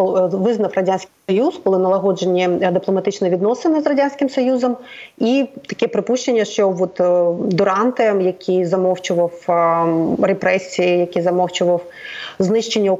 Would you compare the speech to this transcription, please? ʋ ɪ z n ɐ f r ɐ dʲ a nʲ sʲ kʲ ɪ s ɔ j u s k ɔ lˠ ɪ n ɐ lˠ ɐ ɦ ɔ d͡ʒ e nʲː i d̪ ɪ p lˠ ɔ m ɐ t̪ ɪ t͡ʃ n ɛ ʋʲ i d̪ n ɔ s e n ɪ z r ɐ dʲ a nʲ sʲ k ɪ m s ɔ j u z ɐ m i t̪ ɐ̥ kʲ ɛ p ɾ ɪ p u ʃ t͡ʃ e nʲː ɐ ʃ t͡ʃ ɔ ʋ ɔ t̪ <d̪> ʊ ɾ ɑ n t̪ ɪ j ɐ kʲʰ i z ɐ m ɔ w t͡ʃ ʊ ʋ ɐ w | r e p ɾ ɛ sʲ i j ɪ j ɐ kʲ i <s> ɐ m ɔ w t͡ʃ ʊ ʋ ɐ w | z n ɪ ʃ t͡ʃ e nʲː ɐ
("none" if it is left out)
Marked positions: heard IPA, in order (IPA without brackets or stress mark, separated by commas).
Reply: d̪, z